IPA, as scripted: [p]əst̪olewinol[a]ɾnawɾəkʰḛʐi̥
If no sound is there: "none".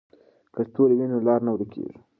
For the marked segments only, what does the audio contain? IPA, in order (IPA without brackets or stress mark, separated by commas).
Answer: k, ɑ